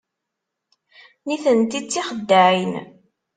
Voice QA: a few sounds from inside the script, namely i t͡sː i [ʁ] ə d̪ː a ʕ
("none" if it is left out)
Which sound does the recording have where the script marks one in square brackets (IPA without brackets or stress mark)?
χ